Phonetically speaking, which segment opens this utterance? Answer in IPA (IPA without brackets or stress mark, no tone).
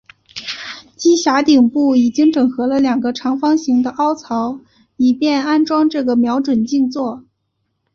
t͡ɕ